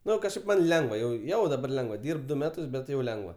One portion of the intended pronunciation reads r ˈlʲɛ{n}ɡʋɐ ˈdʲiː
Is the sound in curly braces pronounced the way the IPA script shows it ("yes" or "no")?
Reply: no